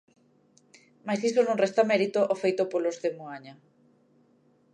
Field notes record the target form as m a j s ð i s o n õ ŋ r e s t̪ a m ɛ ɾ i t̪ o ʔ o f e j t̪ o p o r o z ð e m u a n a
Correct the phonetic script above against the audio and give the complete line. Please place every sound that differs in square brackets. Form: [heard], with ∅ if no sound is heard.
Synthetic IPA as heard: m a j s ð i s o n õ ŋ r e s t̪ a m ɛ ɾ i t̪ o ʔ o f e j t̪ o p o [l] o z ð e m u a [ɲ] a

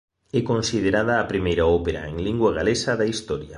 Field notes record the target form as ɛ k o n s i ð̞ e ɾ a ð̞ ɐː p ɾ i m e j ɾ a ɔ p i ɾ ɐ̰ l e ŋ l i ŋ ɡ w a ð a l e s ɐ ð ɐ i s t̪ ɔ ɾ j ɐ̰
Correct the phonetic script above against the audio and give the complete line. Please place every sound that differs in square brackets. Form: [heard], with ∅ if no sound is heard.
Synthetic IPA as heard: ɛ k o n s i ð̞ e ɾ a ð̞ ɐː p ɾ i m e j ɾ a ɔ p [e] ɾ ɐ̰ [∅] e ŋ l i ŋ ɡ w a [ɣ] a l e s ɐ ð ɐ i s t̪ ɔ ɾ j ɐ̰

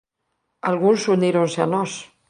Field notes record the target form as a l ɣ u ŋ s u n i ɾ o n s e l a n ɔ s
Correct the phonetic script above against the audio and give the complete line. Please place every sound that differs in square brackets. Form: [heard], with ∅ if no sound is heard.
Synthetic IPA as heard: a l ɣ u [n] s u n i ɾ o n s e [∅] a n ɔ s

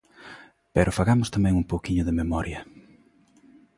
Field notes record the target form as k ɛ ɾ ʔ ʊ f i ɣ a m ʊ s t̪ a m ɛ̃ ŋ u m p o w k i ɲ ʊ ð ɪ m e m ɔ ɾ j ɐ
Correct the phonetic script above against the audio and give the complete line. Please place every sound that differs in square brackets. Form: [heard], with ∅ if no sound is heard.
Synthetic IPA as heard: [p] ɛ ɾ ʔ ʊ f [a] ɣ a m ʊ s t̪ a m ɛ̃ ŋ u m p o w k i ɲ ʊ ð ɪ m e m ɔ ɾ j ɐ

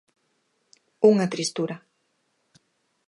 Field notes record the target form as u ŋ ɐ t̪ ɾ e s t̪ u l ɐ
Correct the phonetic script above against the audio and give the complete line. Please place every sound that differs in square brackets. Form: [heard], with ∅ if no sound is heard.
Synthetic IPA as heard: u ŋ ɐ t̪ ɾ [i] s t̪ u [ɾ] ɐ

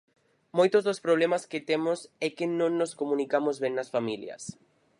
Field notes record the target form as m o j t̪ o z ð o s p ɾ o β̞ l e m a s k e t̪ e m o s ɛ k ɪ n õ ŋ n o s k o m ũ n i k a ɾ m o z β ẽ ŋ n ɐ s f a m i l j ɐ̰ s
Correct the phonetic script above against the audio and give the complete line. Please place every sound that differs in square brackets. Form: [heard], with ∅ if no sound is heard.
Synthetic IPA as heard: m o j t̪ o z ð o s p ɾ o β̞ l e m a s k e t̪ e m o s ɛ k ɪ n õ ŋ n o s k o m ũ n i k a [∅] m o z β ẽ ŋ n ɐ s f a m i l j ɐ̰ s

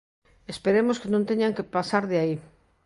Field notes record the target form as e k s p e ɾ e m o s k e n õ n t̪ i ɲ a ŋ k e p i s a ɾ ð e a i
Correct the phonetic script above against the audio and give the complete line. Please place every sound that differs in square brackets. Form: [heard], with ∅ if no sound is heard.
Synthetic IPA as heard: e [∅] s p e ɾ e m o s k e n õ n t̪ [e] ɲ a ŋ k e p [a] s a ɾ ð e a i

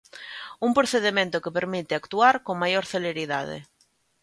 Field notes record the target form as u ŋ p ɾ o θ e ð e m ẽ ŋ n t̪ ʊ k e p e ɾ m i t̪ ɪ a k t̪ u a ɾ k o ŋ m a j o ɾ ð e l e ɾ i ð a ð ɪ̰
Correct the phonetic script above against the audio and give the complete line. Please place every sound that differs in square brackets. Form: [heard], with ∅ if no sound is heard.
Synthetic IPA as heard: u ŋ p ɾ o θ e ð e m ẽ [∅] n t̪ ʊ k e p e ɾ m i t̪ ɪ a k t̪ u a ɾ k o ŋ m a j o ɾ [θ] e l e ɾ i ð a ð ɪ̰

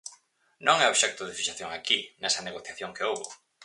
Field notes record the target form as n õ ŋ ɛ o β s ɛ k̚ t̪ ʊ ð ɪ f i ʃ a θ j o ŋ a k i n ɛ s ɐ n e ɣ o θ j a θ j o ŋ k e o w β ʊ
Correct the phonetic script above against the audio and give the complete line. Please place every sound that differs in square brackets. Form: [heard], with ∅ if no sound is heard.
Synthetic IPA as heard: n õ ŋ ɛ o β [ʃ] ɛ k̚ t̪ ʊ ð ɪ f i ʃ a θ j o ŋ a k i n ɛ s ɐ n e ɣ o θ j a θ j o ŋ k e o w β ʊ

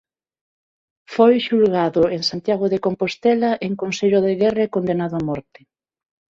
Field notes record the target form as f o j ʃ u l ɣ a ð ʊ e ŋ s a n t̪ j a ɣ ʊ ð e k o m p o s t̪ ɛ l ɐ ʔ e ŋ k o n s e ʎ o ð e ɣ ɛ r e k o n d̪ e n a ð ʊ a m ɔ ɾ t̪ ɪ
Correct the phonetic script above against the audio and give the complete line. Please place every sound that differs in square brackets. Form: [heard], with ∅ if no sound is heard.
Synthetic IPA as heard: f o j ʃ u l ɣ a ð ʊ e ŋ s a n t̪ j a ɣ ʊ ð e k o m p o s t̪ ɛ l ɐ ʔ e ŋ k o n s e ʎ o ð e ɣ ɛ r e k o n d̪ e n a ð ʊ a m ɔ ɾ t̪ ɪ

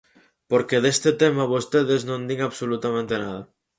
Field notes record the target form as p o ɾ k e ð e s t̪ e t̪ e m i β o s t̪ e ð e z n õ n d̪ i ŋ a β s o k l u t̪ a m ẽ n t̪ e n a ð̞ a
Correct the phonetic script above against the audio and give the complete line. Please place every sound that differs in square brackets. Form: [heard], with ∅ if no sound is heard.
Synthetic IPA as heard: p o ɾ k e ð e s t̪ e t̪ e m [a] β o s t̪ e ð e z n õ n d̪ i ŋ a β s o [∅] l u t̪ a m ẽ n t̪ e n a ð̞ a

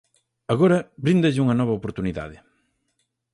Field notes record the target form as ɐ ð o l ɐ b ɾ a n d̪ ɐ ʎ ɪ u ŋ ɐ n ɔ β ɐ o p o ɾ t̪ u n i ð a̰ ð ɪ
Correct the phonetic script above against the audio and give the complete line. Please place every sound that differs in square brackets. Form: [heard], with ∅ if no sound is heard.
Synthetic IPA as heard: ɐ [ɣ] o [ɾ] ɐ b ɾ [i] n d̪ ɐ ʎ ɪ u ŋ ɐ n ɔ β ɐ o p o ɾ t̪ u n i ð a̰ ð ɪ

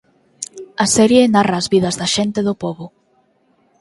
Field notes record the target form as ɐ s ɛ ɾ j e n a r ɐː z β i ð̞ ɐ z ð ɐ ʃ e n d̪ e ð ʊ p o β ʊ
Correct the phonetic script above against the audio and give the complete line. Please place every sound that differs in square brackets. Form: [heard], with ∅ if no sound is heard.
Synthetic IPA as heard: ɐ s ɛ ɾ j e n a r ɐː z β i ð̞ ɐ z ð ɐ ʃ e n [t̪] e ð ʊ p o β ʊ

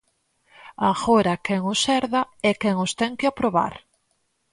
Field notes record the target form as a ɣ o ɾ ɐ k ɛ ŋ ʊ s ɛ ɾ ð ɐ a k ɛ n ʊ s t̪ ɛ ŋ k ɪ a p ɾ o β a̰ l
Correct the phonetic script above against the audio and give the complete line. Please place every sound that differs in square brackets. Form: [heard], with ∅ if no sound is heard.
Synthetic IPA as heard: a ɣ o ɾ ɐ k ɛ ŋ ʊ s ɛ ɾ ð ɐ [ɛ] k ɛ [ŋ] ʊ s t̪ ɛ ŋ k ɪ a p ɾ o β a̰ [ɾ]

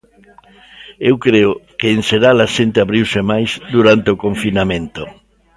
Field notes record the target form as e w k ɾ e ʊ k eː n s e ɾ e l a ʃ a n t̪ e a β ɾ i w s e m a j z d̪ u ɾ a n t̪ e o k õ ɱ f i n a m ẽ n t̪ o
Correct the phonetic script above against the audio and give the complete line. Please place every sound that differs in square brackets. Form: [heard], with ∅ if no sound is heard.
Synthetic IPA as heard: e w k ɾ e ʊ k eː n s e ɾ [a] l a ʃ [e] n t̪ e a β ɾ i w s e m a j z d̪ u ɾ a n t̪ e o k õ ɱ f i n a m ẽ n t̪ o

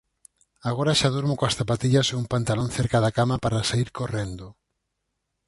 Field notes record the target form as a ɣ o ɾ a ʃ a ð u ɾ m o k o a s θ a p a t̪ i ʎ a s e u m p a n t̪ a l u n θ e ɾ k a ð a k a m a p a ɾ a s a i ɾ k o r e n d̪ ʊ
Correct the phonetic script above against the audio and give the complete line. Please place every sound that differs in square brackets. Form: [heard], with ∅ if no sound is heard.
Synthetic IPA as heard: a ɣ o ɾ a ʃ a ð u ɾ m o k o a s θ a p a t̪ i ʎ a s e u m p a n t̪ a l [o] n θ e ɾ k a ð a k a m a p a ɾ a s a i ɾ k o r e n d̪ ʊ

